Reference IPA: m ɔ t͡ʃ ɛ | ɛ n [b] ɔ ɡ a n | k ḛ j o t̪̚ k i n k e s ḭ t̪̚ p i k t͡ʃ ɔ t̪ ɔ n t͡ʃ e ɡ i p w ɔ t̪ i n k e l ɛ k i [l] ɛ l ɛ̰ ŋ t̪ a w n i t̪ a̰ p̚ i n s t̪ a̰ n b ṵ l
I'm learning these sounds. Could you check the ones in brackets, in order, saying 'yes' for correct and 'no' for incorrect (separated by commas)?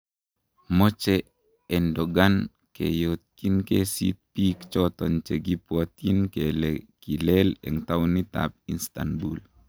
no, yes